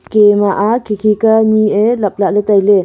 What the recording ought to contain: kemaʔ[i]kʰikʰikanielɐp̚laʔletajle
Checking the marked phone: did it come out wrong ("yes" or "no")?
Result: yes